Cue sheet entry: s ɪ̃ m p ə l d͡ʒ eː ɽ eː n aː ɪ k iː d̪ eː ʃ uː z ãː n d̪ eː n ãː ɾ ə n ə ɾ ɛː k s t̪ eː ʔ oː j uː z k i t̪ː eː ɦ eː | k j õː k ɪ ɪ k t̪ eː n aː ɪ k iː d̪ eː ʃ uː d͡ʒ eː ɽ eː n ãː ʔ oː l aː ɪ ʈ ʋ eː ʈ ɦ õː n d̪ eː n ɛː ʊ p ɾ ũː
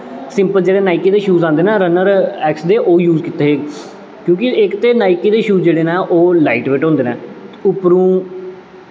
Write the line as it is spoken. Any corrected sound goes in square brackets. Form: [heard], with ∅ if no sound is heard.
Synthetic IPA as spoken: s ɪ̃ m p ə l d͡ʒ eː ɽ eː n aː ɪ k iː d̪ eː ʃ uː z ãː n d̪ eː n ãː ɾ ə n ə ɾ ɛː k s [d̪] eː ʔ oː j uː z k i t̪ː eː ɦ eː | k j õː k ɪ ɪ k t̪ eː n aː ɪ k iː d̪ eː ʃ uː d͡ʒ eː ɽ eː n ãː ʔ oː l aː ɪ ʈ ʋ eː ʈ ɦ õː n d̪ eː n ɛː ʊ p ɾ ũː